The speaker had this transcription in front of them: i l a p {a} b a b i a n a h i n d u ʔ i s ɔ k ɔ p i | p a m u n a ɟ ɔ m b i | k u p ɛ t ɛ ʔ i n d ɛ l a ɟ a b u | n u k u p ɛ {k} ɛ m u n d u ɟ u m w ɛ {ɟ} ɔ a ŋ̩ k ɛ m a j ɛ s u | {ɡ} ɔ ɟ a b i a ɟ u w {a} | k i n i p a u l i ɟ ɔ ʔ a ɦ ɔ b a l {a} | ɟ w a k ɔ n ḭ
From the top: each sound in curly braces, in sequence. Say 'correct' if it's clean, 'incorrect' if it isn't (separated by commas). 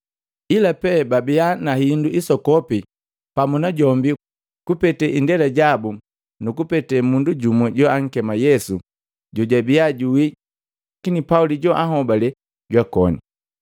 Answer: incorrect, incorrect, correct, incorrect, incorrect, incorrect